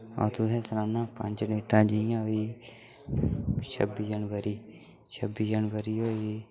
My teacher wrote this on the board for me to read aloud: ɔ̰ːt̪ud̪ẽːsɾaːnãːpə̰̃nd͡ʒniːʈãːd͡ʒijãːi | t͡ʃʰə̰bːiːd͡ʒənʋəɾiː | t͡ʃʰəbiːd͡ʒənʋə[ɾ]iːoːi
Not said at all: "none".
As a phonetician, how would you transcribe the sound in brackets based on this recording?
ɾ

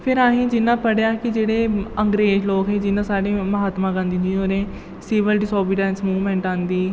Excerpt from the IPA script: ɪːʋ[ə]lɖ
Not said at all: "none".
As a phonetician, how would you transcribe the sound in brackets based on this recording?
ə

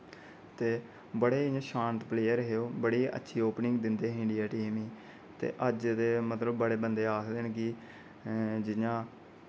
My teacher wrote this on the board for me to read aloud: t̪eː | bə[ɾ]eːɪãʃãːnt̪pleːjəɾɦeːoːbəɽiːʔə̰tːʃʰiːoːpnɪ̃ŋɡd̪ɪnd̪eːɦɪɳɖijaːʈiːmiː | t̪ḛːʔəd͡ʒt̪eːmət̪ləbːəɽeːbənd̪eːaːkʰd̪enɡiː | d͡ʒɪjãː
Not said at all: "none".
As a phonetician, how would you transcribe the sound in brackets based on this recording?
ɽ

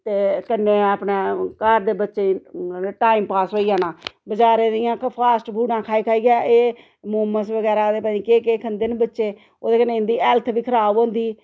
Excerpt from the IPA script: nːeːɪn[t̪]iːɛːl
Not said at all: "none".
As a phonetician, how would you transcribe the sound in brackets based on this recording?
d̪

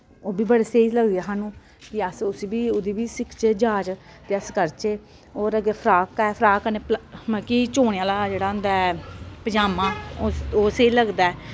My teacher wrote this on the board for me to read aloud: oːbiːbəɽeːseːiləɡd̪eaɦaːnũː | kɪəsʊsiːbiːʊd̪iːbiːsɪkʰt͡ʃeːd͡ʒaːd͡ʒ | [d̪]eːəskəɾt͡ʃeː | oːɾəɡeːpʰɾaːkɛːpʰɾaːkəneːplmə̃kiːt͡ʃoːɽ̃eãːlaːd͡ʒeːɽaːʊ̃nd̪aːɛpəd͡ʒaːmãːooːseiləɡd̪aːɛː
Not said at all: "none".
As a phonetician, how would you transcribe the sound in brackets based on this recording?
t̪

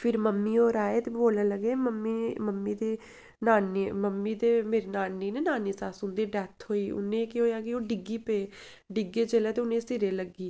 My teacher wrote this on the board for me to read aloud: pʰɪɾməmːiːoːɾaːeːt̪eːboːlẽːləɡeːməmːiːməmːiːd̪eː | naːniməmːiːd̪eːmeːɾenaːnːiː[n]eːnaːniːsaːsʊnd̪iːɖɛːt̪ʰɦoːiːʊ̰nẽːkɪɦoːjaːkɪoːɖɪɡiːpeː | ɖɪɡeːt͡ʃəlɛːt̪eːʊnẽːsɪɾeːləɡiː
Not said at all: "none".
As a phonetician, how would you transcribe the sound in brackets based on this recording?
n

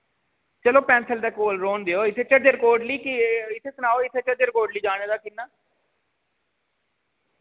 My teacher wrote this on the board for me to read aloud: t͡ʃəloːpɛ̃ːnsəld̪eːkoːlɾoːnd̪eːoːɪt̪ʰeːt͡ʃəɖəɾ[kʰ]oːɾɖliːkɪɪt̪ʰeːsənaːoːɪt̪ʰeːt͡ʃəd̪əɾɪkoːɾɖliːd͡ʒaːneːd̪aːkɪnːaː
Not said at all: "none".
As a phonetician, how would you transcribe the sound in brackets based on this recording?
k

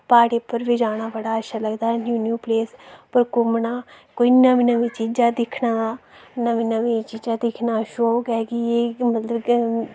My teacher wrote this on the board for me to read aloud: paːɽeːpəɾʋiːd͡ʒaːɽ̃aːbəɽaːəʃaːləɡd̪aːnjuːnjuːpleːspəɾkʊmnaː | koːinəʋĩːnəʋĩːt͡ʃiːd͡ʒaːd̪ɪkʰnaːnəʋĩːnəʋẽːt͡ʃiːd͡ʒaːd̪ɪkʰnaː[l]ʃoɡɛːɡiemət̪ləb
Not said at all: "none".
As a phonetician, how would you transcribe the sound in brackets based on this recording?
none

